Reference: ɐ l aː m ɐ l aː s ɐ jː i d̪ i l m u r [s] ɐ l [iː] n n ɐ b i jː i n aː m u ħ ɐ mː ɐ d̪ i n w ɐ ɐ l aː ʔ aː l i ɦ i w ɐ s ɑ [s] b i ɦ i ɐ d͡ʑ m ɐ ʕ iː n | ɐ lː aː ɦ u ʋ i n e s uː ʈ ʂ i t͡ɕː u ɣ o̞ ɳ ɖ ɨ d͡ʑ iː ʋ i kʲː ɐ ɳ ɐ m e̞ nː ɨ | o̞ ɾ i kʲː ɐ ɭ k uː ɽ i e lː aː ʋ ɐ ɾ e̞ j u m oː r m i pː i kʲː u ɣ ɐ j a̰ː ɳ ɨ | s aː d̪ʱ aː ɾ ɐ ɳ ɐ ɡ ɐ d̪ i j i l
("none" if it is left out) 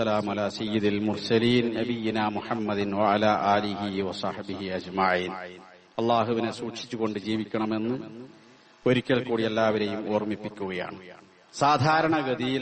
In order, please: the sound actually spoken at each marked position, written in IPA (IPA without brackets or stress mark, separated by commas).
s, iː, ħ